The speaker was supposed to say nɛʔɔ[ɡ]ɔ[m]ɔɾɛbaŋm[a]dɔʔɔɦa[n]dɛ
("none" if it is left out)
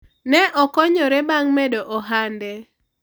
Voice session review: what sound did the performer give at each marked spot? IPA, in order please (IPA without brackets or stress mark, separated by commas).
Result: k, ɲ, ɛ, n